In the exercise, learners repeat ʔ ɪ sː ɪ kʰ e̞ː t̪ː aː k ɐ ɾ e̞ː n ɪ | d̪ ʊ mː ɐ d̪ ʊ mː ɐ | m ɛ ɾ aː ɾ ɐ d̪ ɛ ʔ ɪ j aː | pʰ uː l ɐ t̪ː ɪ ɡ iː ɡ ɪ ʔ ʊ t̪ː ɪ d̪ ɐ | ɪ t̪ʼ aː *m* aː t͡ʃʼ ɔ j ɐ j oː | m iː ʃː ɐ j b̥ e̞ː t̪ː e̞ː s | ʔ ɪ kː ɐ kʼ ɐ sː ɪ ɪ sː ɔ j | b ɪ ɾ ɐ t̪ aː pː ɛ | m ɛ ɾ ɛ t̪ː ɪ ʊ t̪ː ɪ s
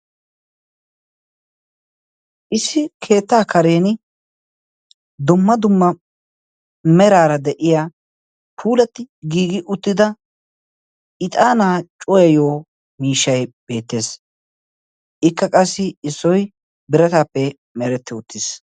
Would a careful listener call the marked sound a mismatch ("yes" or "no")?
yes